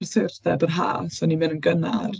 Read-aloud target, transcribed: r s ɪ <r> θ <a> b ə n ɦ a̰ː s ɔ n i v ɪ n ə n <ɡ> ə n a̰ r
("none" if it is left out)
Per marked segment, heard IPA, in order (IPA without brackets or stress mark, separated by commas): r, ɛ, ɡ